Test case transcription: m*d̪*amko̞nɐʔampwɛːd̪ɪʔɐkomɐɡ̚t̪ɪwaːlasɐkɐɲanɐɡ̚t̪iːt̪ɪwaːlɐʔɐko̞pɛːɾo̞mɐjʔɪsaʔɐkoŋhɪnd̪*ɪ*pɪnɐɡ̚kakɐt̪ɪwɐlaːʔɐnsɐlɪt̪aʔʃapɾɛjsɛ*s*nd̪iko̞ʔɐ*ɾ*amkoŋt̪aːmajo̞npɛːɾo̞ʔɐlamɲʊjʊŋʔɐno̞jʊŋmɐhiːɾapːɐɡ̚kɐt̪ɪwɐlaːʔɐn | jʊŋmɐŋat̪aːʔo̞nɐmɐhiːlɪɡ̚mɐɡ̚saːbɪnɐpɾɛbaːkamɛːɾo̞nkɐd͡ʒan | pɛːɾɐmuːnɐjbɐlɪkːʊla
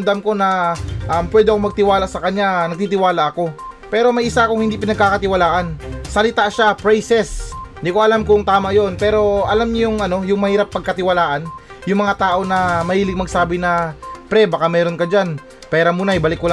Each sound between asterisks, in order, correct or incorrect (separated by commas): correct, incorrect, correct, incorrect